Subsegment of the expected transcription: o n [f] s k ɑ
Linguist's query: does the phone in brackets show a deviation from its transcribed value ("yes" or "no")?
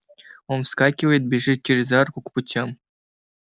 no